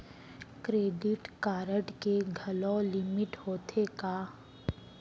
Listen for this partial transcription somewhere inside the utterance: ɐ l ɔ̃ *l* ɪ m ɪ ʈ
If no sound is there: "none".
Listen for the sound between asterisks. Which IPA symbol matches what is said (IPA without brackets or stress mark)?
l